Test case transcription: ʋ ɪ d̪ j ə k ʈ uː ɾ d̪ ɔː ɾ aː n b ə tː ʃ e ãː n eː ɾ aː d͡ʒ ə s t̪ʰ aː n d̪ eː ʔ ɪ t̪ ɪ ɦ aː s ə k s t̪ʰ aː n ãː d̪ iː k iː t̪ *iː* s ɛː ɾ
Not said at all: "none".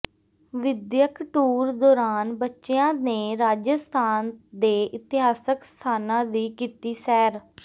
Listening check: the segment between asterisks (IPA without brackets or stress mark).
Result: iː